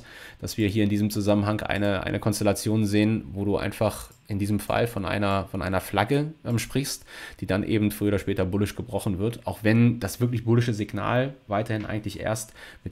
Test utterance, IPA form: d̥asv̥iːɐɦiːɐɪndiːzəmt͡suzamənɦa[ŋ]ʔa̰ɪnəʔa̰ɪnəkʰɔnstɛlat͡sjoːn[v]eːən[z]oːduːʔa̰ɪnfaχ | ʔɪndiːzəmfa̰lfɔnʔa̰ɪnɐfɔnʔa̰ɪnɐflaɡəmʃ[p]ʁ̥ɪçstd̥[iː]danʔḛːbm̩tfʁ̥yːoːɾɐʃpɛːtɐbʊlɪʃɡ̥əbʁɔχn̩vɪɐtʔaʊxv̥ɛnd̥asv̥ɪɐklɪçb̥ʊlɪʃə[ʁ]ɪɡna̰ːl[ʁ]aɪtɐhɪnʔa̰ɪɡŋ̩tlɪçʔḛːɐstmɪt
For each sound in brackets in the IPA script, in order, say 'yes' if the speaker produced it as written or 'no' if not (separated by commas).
yes, no, no, yes, yes, no, no